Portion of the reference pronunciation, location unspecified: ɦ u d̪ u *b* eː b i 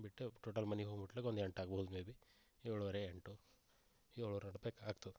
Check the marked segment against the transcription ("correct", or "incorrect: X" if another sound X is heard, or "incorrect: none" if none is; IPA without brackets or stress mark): incorrect: m